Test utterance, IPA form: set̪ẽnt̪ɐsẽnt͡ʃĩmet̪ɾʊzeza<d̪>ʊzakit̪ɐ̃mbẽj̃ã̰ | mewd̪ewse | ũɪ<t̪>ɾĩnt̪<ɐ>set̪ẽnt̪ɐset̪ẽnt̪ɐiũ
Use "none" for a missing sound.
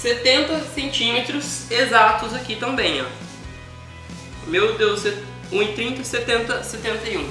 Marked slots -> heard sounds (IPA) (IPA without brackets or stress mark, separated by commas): t̪, t̪, ɐ